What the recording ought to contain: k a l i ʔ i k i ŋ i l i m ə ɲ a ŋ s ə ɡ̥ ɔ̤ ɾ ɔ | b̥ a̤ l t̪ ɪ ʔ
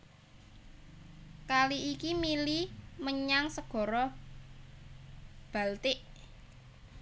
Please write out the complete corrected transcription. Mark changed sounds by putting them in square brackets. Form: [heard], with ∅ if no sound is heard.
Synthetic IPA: k a l i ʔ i k i [m] i l i m ə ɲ a ŋ s ə ɡ̥ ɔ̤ ɾ ɔ | b̥ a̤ l t̪ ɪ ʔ